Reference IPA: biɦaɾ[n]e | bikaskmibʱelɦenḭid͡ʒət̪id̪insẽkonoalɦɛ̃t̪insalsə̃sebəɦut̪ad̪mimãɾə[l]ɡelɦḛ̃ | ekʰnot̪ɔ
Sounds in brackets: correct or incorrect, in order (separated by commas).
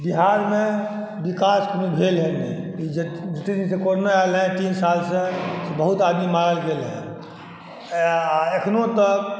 incorrect, correct